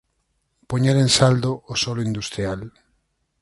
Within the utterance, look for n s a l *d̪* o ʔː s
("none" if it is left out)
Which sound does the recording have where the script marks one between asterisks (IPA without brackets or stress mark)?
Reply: d̪